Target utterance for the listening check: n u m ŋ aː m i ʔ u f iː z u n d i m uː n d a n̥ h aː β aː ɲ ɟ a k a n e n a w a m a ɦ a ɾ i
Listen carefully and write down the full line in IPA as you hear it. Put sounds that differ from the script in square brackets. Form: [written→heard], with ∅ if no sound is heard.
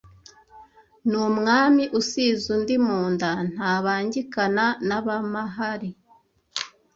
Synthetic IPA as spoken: n u m ŋ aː m i ʔ u [f→s] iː z u n d i m uː n d a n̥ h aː β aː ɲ ɟ [a→i] k a n [e→a] n a [w→β] a m a ɦ a ɾ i